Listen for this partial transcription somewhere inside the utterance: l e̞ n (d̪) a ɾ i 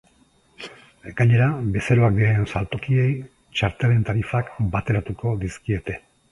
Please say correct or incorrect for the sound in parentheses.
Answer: incorrect